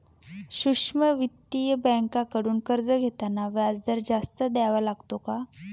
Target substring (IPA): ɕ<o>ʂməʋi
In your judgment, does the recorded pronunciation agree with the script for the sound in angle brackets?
no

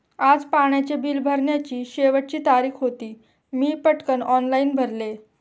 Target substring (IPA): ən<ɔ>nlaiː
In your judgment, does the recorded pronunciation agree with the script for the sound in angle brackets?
yes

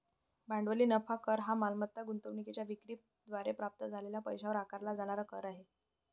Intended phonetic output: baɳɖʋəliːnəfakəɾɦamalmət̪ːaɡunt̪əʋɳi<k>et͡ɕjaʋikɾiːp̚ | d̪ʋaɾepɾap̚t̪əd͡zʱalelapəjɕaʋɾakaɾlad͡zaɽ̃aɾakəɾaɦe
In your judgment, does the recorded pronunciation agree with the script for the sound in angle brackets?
yes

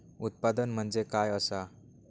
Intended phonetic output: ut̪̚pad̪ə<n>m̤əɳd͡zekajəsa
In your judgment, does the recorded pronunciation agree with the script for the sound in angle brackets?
yes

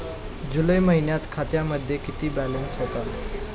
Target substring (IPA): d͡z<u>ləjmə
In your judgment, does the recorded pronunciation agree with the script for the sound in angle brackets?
yes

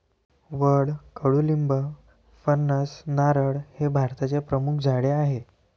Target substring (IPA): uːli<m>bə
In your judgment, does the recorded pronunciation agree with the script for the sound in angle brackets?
yes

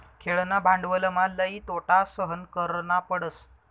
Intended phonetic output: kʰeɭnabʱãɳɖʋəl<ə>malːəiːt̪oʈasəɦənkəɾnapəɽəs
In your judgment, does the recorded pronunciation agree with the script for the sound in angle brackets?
yes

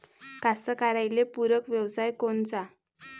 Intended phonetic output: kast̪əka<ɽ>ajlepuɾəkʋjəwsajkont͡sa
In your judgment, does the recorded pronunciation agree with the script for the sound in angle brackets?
no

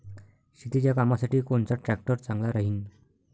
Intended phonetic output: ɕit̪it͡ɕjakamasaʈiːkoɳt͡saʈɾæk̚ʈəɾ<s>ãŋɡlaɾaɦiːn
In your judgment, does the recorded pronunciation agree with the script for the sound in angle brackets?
no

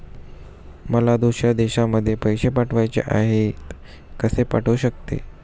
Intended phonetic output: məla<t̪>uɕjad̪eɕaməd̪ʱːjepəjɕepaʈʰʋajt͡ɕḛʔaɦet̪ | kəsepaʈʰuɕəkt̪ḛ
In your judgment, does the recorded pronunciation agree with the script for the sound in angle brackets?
no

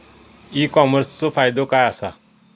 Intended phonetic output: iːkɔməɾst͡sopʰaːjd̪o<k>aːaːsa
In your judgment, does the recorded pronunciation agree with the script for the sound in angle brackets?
yes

